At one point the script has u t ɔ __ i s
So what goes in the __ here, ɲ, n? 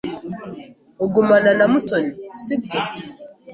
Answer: n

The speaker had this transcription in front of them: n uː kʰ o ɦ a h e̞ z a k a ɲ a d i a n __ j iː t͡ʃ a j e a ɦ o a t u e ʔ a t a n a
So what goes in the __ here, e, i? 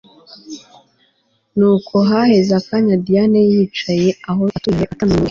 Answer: e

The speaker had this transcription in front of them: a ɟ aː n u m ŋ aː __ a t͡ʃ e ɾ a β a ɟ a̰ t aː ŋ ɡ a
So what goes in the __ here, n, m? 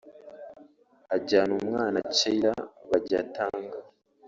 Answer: n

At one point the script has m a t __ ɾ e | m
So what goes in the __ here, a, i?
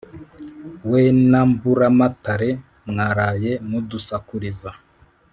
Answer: a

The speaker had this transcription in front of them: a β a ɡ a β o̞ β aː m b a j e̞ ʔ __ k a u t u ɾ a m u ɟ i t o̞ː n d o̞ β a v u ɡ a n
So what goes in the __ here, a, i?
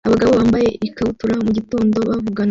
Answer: i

